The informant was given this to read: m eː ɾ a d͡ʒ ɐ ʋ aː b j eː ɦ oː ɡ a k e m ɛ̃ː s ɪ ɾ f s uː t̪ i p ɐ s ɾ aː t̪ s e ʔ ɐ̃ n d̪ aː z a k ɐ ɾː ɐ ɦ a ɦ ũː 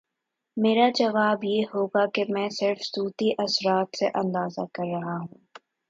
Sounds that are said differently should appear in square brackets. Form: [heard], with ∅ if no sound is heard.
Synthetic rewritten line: m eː ɾ a d͡ʒ ɐ ʋ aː b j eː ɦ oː ɡ a k e m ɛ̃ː s ɪ ɾ f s uː t̪ i [ʔ] ɐ s ɾ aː t̪ s e ʔ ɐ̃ n d̪ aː z a k ɐ ɾː ɐ ɦ a ɦ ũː

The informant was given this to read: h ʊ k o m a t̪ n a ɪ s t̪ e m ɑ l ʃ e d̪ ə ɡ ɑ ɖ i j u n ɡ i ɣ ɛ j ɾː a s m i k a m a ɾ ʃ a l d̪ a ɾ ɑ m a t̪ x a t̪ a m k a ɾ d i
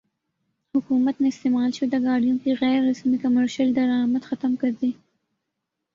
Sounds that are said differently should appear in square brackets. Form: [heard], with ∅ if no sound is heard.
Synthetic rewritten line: h ʊ k [u] m a t̪ n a ɪ s t̪ e m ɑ l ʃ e d̪ ə ɡ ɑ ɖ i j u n [k] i ɣ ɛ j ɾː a s m i k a m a ɾ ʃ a l d̪ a ɾ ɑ m a t̪ x a t̪ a m k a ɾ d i

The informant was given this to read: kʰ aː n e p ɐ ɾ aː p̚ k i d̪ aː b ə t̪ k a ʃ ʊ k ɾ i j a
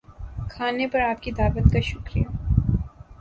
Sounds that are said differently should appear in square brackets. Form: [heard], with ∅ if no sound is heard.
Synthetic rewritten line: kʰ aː n e p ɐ ɾ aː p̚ k i d̪ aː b ə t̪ k a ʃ ʊ k ɾ i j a

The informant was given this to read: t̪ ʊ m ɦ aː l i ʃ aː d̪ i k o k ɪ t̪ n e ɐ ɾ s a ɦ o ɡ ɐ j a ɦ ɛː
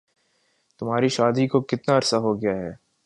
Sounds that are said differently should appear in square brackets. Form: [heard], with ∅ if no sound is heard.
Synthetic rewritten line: t̪ ʊ m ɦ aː [ɾ] i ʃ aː d̪ i k o k ɪ t̪ n [a] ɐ ɾ s a ɦ o ɡ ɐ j a ɦ ɛː

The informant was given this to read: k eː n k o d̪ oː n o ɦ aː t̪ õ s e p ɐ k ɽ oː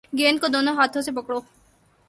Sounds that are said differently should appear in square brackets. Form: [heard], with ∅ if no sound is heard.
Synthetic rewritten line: [ɡ] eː n k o d̪ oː n o ɦ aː [t̪ʰ] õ s e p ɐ k ɽ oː

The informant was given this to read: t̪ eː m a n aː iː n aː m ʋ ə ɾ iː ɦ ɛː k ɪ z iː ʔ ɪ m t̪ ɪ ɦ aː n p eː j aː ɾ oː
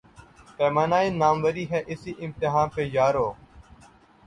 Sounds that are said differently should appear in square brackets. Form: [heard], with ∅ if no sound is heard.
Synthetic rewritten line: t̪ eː m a n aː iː n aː m ʋ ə ɾ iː ɦ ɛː [ʔ] ɪ [s] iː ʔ ɪ m t̪ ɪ ɦ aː n p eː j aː ɾ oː

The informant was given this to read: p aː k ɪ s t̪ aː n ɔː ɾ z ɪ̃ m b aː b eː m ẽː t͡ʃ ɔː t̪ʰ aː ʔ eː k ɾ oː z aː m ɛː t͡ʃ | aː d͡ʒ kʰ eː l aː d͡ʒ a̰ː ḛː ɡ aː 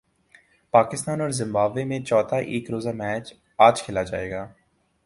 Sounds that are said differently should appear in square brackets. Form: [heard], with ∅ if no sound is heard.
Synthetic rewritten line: p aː k ɪ s t̪ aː n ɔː ɾ z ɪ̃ m b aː b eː m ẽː t͡ʃ ɔː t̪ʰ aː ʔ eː k ɾ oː z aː m ɛː t͡ʃ | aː d͡ʒ kʰ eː l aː d͡ʒ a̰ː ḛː ɡ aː

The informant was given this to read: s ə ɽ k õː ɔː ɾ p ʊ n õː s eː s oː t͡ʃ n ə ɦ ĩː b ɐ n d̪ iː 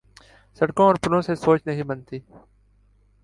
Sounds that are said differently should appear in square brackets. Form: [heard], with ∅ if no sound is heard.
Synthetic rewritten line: s ə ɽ k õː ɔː ɾ p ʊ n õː s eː s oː t͡ʃ n ə ɦ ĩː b [ə] n [t̪] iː

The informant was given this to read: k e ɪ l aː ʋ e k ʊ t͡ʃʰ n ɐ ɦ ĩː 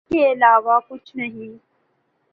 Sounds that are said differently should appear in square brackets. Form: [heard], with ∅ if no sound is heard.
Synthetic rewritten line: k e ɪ l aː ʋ [a] k ʊ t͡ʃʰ n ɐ ɦ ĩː

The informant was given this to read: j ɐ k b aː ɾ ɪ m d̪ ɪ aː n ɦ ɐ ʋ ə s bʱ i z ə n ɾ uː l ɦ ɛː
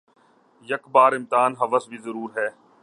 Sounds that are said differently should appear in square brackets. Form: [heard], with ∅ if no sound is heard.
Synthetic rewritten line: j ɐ k b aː ɾ ɪ m [t̪] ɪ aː n ɦ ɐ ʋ ə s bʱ i z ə [∅] ɾ uː [ɾ] ɦ ɛː

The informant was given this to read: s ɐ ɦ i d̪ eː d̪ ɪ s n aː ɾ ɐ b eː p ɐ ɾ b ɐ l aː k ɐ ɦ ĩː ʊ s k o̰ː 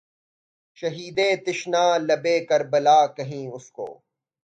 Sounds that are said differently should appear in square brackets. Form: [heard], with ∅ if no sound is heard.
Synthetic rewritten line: [ʃ] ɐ ɦ [iː] d̪ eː [t̪] ɪ [ʃ] n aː [l] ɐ b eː [k] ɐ ɾ b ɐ l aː k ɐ ɦ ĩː ʊ s k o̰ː

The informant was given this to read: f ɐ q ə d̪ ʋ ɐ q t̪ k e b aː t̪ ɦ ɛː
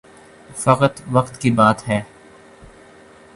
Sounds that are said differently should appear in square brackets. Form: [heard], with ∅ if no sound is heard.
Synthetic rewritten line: f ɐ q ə [t̪] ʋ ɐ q t̪ k [i] b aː t̪ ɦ ɛː

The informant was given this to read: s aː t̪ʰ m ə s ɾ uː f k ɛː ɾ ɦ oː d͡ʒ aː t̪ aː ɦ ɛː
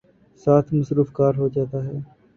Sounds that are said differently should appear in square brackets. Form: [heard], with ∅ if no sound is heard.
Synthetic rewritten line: s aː t̪ʰ m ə s ɾ uː f k [aː] ɾ ɦ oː d͡ʒ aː t̪ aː ɦ ɛː

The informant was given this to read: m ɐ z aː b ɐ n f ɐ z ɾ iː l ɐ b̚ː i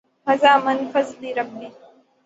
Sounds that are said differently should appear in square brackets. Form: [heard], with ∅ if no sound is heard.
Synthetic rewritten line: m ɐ z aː [m] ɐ n f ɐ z [l] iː [ɾ] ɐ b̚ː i

